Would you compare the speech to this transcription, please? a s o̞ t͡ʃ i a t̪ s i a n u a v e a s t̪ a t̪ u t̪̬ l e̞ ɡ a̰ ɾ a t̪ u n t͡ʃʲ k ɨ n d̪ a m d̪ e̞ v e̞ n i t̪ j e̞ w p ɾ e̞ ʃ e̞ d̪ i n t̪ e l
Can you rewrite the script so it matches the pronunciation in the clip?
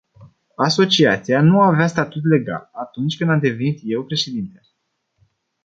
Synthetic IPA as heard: a s o̞ t͡ʃ i a t̪ s i a n u a v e a s t̪ a t̪ u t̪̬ l e̞ ɡ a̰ l a t̪ u n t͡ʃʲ k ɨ n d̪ a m d̪ e̞ v e̞ n i t̪ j e̞ w p ɾ e̞ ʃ e̞ d̪ i n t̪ e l